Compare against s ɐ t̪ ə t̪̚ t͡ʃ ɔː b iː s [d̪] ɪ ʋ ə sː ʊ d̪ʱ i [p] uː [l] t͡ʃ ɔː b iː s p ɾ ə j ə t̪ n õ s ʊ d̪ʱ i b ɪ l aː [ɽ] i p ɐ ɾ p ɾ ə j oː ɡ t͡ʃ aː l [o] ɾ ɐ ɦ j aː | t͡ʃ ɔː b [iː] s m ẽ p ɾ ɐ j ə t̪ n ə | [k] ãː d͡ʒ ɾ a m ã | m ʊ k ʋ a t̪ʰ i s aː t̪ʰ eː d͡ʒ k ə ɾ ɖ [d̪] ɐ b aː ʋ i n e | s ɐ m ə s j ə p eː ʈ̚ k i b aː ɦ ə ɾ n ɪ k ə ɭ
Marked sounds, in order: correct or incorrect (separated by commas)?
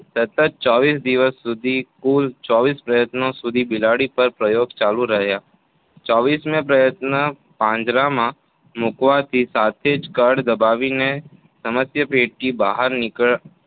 correct, incorrect, correct, correct, incorrect, correct, incorrect, correct